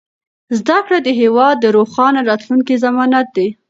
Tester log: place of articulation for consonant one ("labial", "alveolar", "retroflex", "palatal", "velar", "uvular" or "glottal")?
alveolar